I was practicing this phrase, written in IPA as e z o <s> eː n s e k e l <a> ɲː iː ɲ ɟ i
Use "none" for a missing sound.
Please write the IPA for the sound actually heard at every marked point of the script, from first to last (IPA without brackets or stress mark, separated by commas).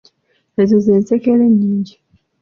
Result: z, e